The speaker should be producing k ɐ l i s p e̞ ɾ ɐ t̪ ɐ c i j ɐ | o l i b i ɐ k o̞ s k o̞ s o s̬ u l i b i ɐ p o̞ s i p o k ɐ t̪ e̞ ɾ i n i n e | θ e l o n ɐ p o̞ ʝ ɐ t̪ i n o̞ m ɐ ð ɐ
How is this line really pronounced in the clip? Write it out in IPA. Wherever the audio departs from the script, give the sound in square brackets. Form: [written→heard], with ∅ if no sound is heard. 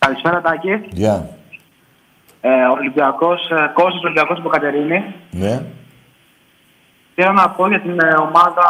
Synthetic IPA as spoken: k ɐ l i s p e̞ ɾ ɐ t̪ ɐ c i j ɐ | o l i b i ɐ k o̞ s k o̞ s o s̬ [u→o] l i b i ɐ [p→k] o̞ s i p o k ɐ t̪ e̞ ɾ i n i n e | θ e l o n ɐ p o̞ ʝ ɐ t̪ i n o̞ m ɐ ð ɐ